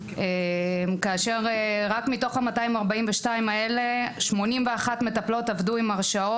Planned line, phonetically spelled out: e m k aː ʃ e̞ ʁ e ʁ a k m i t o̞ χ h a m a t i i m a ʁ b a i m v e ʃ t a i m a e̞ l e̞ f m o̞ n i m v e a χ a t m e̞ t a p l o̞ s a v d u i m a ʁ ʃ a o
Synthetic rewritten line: e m k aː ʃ e̞ ʁ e ʁ a k m i t o̞ χ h a m a t a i m a ʁ b a i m v e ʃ t a i m a e̞ l e̞ ʃ m o̞ n i m v e a χ a t m e̞ t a p l o̞ t a v d u i m a ʁ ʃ a o